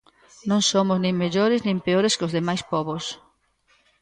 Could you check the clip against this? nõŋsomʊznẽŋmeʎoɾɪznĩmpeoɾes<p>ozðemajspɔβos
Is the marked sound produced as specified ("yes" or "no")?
no